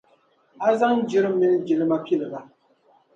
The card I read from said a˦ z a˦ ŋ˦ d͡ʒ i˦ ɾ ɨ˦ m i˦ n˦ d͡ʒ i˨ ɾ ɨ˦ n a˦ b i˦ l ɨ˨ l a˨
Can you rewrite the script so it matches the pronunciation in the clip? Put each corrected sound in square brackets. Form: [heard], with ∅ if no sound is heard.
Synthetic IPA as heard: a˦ z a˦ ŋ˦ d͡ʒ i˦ ɾ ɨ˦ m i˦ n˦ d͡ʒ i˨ [l] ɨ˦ [m] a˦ [p] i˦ l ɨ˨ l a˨